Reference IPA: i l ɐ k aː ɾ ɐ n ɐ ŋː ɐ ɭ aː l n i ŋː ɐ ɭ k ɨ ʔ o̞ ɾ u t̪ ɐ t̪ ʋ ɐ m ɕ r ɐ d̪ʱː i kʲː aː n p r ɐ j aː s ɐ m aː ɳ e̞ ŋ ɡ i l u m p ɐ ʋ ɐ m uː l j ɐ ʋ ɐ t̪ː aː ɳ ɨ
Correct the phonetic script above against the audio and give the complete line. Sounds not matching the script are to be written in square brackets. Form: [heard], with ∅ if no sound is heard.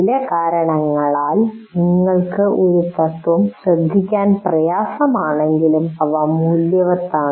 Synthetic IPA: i l ɐ k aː ɾ ɐ [ɳ] ɐ ŋː ɐ ɭ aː l n i ŋː ɐ ɭ k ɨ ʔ o̞ ɾ u t̪ ɐ t̪ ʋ ɐ m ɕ r ɐ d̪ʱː i kʲː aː n p r ɐ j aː s ɐ m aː ɳ e̞ ŋ ɡ i l u m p ɐ ʋ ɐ m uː l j ɐ ʋ ɐ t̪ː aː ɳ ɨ